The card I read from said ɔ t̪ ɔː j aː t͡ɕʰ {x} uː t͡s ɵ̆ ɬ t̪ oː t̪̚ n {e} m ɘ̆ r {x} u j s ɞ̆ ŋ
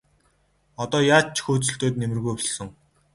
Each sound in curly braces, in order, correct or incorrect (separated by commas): correct, correct, incorrect